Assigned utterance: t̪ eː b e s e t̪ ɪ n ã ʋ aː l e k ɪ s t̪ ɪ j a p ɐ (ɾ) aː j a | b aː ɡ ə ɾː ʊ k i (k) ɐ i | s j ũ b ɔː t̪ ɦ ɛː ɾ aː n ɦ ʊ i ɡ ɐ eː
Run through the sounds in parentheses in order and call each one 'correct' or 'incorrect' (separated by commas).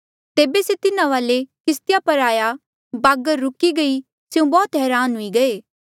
correct, incorrect